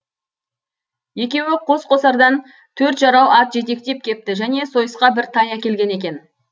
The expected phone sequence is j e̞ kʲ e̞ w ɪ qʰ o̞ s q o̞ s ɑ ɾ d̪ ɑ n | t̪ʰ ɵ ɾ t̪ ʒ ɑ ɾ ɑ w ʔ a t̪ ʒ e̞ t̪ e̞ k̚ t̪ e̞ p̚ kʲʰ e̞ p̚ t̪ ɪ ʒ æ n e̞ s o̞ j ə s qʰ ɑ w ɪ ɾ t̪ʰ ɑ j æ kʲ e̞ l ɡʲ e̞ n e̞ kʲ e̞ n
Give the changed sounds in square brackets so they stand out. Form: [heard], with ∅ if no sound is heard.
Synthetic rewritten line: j e̞ kʲ e̞ w ɪ qʰ o̞ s q o̞ s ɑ ɾ d̪ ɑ n | t̪ʰ ɵ ɾ t̪ ʒ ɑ ɾ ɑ w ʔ [ɑ] t̪ ʒ e̞ t̪ e̞ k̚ t̪ e̞ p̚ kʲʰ e̞ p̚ t̪ ɪ ʒ æ n e̞ s o̞ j ə s [q] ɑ [b] ɪ ɾ t̪ʰ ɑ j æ kʲ e̞ l ɡʲ e̞ n e̞ kʲ e̞ n